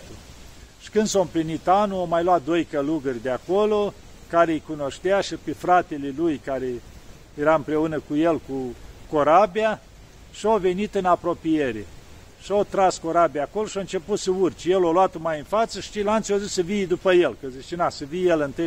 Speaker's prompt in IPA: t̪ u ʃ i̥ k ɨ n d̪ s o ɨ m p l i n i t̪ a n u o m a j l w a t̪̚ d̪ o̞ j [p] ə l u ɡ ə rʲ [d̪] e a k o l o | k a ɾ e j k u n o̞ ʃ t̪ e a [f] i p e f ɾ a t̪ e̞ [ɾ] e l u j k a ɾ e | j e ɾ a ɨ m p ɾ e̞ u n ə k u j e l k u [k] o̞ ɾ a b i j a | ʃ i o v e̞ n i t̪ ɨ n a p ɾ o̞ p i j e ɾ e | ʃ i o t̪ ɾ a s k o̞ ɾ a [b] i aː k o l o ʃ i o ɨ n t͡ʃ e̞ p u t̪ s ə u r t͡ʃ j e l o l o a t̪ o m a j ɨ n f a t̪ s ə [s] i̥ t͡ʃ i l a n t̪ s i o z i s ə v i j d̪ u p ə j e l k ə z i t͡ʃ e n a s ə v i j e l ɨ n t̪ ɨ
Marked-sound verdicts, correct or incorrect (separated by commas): incorrect, correct, incorrect, incorrect, correct, correct, incorrect